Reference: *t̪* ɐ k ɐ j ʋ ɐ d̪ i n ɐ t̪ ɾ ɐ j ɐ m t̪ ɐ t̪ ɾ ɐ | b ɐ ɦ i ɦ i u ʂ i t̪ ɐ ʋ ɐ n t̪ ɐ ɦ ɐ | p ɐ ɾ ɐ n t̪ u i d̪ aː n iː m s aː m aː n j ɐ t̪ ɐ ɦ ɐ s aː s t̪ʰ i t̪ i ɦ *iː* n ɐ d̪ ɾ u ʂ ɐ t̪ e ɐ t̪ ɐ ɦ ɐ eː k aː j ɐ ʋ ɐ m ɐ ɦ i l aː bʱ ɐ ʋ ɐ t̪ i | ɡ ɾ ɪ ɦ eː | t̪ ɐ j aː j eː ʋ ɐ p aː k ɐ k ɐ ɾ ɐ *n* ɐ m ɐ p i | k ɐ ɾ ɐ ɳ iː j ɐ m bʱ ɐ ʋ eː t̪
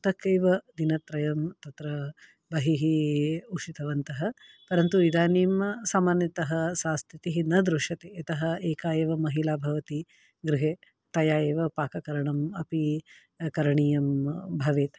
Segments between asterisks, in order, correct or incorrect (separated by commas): correct, incorrect, incorrect